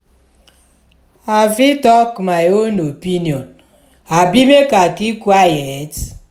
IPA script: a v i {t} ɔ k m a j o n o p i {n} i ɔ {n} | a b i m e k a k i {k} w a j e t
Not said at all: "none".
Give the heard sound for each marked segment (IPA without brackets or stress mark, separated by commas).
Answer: t, n, n, k